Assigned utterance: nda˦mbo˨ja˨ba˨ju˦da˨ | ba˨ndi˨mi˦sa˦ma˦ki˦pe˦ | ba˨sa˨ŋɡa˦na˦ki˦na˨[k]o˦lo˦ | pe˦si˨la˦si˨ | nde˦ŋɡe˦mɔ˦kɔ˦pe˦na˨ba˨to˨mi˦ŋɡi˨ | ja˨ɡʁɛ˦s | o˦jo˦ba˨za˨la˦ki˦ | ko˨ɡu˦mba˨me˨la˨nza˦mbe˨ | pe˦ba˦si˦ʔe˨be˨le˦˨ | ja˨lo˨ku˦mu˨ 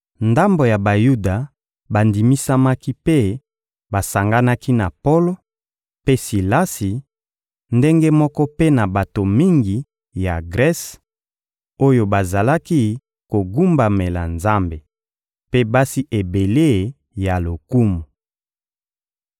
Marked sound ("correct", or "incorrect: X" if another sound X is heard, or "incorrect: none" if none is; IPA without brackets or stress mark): incorrect: p